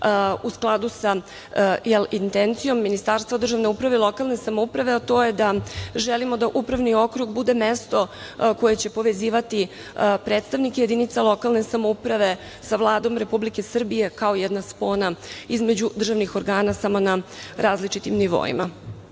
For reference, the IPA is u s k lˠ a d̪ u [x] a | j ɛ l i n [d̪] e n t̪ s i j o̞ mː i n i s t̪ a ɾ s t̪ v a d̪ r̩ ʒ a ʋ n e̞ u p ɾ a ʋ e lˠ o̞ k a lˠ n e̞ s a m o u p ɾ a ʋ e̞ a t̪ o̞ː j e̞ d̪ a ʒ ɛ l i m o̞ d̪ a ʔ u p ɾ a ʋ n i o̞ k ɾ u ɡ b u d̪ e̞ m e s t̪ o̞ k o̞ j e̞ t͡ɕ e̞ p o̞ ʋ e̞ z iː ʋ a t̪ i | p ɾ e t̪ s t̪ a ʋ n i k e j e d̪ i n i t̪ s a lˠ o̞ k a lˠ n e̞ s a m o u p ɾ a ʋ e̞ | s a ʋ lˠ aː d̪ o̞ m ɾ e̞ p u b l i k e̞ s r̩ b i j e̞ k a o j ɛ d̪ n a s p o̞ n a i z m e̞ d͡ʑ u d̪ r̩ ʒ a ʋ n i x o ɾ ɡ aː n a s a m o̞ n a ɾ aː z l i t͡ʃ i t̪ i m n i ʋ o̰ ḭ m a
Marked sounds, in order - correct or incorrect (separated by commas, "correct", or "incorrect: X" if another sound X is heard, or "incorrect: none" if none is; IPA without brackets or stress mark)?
incorrect: s, incorrect: t̪